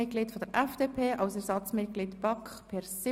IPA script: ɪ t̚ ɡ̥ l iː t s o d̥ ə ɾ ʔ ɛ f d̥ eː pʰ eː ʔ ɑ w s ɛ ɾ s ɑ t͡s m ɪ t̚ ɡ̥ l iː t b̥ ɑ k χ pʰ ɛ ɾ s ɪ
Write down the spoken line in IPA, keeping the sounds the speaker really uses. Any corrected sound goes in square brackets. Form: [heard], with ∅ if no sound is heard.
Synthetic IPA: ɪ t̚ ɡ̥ l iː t [f] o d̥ ə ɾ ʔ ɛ f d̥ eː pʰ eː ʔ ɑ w s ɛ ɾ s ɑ t͡s m ɪ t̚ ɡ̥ l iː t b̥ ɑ k χ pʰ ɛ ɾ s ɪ